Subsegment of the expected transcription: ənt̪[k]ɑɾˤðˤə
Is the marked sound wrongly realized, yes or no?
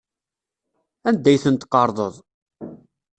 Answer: yes